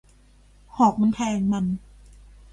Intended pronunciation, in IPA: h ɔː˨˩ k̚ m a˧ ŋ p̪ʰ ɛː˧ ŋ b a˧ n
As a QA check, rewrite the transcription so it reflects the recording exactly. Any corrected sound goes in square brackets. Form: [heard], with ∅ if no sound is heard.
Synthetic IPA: h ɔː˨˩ k̚ m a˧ [n] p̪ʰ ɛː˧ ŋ [m] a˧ n